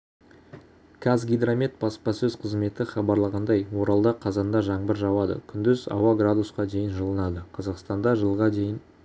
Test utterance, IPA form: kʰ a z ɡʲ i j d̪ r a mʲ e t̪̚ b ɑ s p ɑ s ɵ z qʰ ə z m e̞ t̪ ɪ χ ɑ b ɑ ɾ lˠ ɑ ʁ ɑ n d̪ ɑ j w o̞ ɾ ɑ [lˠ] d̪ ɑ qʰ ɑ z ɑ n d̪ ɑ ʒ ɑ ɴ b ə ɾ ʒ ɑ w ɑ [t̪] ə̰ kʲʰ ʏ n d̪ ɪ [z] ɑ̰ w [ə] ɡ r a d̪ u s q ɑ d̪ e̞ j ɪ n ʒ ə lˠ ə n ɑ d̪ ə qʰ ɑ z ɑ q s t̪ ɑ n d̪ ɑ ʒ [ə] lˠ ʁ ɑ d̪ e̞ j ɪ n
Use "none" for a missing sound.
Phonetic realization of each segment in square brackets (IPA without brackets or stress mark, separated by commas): lˠ, d̪, z, ɑ, ə